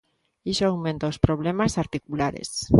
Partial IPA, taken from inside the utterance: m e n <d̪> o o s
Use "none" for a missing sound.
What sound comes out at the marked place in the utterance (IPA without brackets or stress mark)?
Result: t̪